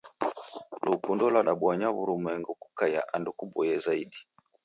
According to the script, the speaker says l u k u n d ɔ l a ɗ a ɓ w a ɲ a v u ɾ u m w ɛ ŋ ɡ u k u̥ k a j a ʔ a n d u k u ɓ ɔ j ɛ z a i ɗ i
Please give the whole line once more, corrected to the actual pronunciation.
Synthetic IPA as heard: l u k u n d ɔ l a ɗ a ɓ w a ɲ a β u ɾ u m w ɛ ŋ ɡ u k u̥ k a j a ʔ a n d u k u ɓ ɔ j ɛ z a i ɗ i